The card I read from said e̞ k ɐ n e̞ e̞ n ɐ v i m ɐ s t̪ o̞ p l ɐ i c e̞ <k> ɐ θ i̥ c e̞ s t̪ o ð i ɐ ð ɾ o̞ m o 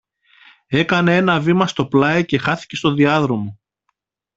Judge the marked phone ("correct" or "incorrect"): incorrect